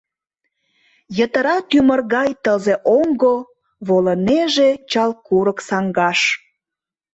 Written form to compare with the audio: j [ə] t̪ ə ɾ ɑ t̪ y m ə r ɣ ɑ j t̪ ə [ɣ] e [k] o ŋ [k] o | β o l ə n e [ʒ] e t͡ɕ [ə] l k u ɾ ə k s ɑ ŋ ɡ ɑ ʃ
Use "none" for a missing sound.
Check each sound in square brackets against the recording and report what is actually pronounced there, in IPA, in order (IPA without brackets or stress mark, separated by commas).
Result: ə, z, ʔ, ɡ, ʒ, ɑ